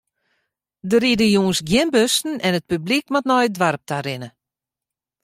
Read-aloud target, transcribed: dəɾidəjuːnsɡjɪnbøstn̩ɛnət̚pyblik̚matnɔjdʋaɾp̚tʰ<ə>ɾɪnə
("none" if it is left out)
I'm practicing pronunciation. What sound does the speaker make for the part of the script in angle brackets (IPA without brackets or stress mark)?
a